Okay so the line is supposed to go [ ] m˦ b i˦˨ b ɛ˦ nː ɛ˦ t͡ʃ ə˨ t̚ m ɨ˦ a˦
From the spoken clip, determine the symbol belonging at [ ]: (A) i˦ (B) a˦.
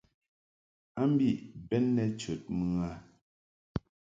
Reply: B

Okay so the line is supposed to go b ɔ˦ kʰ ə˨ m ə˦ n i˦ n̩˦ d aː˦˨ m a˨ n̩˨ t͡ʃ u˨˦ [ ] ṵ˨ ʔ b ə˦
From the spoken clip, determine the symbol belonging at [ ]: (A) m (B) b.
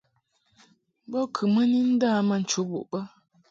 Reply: B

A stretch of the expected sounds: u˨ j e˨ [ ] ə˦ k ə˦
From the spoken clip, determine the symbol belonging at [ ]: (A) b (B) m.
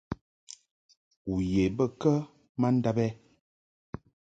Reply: A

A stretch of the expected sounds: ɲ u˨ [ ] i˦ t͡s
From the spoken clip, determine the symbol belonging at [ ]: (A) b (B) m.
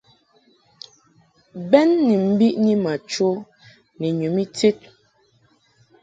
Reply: B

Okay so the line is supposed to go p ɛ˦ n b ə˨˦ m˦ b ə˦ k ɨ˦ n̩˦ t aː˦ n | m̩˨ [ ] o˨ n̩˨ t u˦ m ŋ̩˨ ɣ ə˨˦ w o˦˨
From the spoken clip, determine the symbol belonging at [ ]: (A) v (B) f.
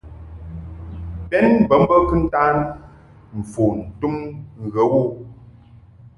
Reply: B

